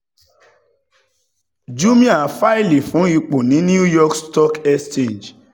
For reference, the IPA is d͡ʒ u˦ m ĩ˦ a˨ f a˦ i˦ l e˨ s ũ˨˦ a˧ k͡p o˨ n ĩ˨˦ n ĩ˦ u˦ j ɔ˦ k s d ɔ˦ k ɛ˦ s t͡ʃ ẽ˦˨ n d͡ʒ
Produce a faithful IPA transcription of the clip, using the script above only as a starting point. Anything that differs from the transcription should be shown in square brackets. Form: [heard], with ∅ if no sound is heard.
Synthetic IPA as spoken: d͡ʒ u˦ m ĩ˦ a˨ f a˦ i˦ l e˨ [f] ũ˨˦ [i˧] k͡p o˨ n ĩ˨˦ n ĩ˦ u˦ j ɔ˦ k s [t] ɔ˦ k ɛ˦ s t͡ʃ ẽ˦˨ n d͡ʒ